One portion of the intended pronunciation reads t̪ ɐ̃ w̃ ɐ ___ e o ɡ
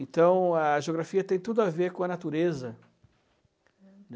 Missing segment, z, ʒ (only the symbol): ʒ